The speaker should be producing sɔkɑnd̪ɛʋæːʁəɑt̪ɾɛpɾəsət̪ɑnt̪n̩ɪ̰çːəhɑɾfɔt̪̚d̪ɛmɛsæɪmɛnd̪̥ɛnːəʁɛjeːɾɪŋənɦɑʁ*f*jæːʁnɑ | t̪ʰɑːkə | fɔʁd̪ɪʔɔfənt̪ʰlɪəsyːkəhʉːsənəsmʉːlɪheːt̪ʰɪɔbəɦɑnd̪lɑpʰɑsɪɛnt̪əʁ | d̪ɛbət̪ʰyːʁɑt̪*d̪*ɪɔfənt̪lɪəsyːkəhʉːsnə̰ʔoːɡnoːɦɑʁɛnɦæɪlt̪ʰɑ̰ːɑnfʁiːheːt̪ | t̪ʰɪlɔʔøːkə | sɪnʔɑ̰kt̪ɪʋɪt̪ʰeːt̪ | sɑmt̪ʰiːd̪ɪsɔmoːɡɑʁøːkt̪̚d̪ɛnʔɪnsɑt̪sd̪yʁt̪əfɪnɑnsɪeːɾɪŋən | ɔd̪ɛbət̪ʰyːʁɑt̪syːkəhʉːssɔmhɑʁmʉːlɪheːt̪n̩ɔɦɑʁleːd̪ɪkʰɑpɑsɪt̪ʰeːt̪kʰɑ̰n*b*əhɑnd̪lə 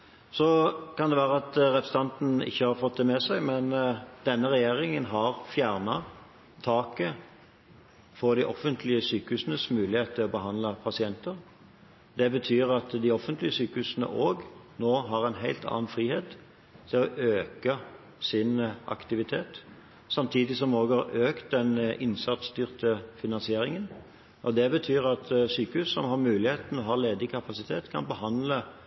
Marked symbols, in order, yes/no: yes, yes, yes

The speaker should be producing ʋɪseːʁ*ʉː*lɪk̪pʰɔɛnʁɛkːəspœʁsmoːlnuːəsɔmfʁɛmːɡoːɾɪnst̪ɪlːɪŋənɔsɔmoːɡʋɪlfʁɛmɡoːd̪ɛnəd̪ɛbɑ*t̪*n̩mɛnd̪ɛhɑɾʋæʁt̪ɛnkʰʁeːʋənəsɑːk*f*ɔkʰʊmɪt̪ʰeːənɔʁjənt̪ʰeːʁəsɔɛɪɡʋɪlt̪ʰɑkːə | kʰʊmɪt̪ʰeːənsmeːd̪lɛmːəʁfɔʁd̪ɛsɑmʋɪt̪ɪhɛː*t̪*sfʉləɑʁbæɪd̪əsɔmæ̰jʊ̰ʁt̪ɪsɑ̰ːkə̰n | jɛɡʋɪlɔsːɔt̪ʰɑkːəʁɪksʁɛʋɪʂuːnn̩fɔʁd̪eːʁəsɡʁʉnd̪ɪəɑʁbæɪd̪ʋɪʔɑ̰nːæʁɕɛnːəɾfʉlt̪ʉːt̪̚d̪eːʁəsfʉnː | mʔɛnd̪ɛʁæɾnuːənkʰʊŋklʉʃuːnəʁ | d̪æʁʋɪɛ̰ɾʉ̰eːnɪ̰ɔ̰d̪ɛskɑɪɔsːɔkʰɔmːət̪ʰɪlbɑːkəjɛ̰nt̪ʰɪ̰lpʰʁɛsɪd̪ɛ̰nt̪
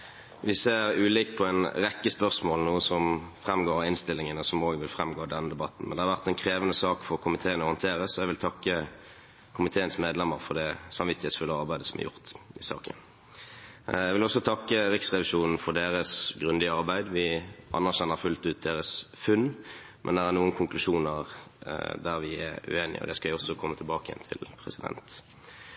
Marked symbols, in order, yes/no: yes, yes, yes, yes

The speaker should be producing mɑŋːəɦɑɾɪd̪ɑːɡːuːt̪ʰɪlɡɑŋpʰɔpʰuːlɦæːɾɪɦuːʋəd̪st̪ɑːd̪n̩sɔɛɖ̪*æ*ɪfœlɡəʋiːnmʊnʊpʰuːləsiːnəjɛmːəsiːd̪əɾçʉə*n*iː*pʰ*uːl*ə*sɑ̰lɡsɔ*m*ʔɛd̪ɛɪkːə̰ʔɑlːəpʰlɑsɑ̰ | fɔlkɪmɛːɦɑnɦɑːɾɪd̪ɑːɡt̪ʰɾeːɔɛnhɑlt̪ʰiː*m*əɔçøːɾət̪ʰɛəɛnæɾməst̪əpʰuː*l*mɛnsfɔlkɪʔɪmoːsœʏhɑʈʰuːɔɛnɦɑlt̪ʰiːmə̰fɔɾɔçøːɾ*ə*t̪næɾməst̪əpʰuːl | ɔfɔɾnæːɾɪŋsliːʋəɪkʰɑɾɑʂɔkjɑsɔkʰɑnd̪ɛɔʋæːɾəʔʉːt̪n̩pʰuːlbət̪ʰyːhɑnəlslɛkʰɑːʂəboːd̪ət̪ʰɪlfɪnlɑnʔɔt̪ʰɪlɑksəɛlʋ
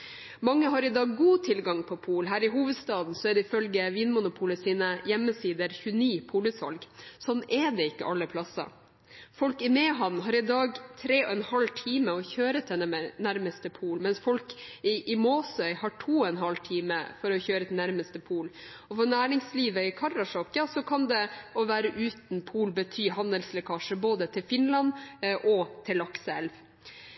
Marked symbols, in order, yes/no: no, yes, yes, yes, no, yes, yes, yes

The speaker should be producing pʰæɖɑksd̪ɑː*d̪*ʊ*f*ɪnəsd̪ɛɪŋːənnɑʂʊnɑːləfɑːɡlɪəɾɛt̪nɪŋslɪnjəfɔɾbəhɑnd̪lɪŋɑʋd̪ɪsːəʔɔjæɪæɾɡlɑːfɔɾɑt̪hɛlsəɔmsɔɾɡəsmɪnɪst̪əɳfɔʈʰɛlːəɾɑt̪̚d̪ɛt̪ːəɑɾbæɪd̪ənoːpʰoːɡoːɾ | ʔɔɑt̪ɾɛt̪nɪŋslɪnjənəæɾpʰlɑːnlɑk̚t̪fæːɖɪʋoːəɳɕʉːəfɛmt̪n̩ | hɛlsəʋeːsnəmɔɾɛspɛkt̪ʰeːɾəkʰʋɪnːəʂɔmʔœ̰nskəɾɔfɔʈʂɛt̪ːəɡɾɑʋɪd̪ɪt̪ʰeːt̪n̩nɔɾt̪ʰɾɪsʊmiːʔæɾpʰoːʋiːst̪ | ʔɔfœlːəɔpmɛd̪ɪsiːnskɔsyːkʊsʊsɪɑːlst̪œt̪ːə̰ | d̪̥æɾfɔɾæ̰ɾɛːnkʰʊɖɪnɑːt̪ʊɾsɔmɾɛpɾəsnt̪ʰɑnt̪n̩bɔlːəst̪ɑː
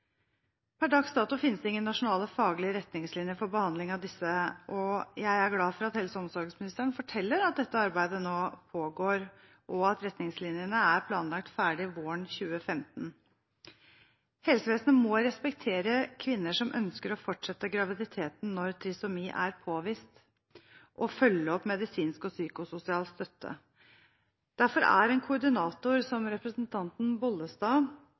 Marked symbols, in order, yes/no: no, yes

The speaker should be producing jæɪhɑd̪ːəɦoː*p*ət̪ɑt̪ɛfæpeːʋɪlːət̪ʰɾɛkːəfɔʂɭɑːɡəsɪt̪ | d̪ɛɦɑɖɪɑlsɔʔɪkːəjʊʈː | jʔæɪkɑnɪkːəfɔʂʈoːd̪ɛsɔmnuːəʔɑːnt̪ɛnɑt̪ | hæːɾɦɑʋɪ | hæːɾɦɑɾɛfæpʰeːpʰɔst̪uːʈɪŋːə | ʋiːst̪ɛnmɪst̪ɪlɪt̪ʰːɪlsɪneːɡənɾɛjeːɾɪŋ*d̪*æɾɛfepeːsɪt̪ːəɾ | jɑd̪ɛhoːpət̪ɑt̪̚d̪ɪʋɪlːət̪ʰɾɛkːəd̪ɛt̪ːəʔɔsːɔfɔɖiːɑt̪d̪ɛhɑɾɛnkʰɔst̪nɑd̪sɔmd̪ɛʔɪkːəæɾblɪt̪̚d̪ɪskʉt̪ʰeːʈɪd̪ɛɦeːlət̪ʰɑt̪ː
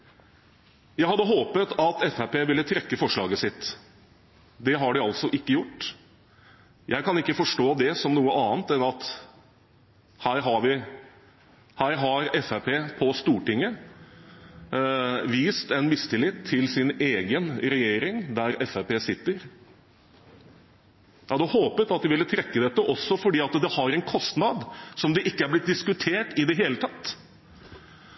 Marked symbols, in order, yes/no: yes, yes

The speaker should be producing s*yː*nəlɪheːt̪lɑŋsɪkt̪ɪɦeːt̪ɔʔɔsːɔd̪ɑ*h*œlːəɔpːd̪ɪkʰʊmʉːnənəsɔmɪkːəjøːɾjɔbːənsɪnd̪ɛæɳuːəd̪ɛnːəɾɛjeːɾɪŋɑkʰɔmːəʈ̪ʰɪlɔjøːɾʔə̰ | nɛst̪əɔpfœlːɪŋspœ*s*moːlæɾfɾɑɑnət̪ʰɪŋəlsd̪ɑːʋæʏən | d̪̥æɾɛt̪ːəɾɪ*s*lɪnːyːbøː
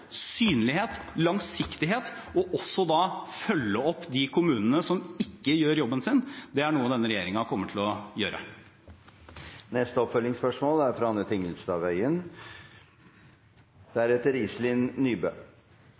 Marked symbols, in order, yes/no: yes, no, no, yes

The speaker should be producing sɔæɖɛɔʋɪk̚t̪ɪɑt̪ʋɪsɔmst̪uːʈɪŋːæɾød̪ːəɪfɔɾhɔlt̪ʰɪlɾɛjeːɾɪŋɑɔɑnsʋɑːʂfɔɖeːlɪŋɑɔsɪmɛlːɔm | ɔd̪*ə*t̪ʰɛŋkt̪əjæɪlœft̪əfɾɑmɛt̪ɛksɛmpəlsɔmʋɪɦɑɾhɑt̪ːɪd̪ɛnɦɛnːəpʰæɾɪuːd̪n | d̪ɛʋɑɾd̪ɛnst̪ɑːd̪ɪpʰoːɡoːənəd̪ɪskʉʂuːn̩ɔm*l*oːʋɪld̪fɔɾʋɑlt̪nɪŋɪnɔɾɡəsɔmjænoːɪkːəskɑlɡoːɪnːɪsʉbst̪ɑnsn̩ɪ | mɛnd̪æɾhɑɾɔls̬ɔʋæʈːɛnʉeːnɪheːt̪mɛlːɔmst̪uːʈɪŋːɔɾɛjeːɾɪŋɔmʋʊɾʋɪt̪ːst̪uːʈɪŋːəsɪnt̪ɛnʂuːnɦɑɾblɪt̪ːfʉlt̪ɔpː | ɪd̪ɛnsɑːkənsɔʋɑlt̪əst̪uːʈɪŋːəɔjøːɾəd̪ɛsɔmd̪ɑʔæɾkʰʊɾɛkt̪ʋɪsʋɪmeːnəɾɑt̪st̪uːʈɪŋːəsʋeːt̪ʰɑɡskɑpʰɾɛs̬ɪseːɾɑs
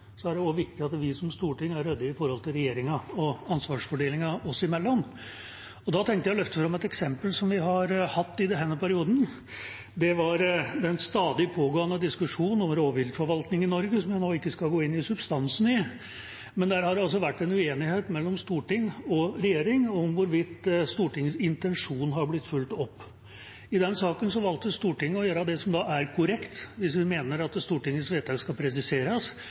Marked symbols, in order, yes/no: no, no

